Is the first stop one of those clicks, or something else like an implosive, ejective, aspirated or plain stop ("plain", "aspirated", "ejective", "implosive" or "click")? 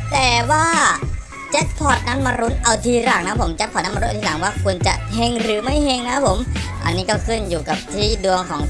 plain